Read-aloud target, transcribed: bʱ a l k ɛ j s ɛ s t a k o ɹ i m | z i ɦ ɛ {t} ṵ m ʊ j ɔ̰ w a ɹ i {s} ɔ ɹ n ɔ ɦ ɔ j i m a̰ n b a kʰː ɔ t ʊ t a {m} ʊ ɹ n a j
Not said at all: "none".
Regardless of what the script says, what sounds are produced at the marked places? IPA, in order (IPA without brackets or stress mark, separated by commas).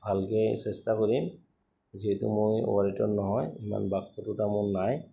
t, t, m